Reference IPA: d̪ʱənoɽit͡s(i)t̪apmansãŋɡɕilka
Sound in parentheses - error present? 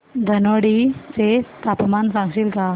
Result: yes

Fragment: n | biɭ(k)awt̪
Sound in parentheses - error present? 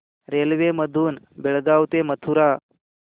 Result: yes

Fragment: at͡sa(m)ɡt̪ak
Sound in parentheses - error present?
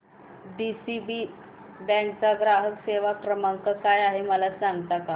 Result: yes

